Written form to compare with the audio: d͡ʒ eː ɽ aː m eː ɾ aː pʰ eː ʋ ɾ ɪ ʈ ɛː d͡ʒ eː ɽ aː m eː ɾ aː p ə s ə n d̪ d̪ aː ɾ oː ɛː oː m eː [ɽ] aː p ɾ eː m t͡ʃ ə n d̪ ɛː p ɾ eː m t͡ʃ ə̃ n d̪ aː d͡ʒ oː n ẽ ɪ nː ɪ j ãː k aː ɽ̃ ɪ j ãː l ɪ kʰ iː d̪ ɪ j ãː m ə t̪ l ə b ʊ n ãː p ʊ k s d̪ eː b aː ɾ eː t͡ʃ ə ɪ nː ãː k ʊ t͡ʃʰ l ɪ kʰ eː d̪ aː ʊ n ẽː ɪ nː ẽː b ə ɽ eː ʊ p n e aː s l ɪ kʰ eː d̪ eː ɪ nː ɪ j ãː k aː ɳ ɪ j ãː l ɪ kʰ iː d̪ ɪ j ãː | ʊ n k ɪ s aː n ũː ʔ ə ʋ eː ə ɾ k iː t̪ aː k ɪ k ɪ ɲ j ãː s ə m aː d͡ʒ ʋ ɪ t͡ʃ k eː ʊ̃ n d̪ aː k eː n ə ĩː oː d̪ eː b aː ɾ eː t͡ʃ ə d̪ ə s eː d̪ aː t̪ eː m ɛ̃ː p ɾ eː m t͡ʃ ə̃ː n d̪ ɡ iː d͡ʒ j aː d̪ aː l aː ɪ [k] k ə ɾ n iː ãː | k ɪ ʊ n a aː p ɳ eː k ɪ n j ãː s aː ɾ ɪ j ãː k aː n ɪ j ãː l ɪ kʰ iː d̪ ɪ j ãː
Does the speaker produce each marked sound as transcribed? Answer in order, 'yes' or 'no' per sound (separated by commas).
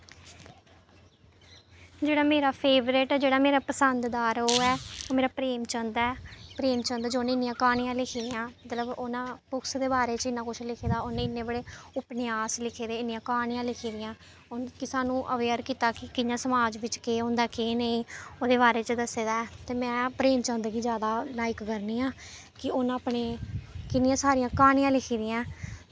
no, yes